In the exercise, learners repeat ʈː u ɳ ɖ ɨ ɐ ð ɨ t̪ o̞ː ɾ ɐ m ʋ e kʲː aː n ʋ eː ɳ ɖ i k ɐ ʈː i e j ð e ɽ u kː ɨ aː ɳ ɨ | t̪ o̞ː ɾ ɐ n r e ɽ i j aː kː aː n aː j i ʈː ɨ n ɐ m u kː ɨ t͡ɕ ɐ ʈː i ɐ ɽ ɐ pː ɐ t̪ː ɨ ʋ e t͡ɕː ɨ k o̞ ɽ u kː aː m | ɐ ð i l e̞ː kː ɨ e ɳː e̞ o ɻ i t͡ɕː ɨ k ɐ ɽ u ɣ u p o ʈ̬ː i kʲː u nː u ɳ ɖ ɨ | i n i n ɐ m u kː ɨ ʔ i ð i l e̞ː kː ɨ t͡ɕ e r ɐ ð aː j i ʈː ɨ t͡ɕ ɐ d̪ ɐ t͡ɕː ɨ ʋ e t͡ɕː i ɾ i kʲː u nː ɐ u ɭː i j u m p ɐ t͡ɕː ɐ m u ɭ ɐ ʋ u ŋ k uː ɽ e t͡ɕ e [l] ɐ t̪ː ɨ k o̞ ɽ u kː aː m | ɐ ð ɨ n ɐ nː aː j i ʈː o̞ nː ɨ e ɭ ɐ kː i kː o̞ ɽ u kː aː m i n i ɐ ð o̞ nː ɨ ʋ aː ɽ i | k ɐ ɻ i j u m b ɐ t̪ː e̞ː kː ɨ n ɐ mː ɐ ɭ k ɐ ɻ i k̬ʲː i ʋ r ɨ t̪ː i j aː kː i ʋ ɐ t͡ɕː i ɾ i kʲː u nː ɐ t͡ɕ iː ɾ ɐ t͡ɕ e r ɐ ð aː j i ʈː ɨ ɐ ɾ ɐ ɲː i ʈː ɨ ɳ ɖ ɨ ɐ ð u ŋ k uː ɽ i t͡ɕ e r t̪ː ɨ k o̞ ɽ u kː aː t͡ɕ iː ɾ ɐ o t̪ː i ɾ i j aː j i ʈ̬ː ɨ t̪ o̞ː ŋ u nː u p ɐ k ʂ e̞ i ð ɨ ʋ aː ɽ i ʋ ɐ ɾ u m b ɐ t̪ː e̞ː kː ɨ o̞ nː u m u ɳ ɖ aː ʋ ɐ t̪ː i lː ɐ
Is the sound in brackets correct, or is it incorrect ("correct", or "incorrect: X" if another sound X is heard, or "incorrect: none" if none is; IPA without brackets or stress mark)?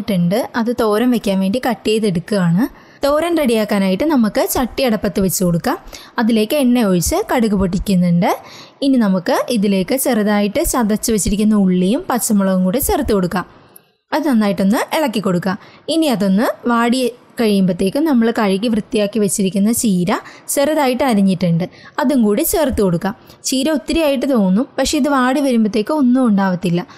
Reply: incorrect: r